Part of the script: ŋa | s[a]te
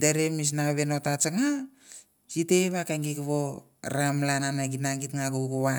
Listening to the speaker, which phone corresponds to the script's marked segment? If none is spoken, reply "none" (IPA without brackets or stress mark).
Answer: i